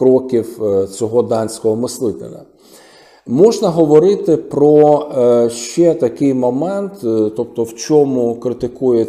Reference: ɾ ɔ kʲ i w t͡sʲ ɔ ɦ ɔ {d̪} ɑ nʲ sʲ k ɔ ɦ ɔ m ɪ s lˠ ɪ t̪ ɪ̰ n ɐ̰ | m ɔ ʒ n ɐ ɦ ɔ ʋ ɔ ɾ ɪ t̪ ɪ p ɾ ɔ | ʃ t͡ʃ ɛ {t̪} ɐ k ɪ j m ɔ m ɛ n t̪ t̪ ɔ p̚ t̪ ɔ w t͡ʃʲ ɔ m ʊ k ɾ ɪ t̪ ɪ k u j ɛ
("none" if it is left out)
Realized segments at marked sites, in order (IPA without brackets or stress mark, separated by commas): d̪, t̪